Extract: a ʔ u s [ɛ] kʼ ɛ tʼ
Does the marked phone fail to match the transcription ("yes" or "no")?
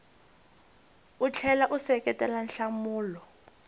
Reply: no